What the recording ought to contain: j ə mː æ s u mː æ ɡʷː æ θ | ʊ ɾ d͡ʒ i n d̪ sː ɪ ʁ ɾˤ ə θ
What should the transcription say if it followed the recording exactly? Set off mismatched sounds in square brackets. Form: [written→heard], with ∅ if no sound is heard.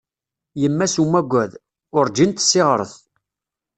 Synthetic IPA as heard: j ə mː æ s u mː æ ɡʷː æ [θ→ð] | ʊ ɾ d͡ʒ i n [d̪→t̪] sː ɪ ʁ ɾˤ ə θ